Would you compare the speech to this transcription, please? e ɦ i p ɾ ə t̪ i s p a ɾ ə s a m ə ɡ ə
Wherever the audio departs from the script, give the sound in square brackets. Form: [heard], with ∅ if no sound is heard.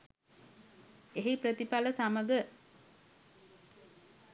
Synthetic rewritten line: e ɦ i p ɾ ə t̪ i [∅] p a [l] ə s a m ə ɡ ə